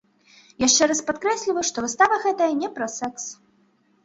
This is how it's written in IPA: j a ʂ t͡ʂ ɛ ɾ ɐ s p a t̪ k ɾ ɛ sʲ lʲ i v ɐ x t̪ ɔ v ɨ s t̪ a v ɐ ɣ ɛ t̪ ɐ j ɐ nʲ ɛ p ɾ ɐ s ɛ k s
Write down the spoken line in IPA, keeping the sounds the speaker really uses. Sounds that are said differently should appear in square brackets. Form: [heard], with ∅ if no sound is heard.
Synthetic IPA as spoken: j a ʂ t͡ʂ ɛ ɾ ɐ s p a t̪ k ɾ ɛ sʲ lʲ i v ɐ [ʂ] t̪ ɔ v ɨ s t̪ a v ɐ ɣ ɛ t̪ ɐ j ɐ nʲ ɛ p ɾ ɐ s ɛ k s